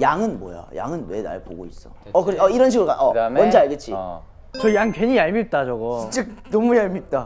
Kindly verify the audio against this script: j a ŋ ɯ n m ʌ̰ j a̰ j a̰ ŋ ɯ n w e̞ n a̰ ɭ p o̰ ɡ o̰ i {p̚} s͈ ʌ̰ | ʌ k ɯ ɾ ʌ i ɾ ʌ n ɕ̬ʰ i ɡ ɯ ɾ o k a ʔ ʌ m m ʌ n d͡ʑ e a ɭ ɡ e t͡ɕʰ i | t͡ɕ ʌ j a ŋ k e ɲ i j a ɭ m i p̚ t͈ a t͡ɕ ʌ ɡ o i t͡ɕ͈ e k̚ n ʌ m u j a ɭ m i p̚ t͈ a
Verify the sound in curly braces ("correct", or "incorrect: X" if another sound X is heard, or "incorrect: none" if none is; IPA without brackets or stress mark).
incorrect: none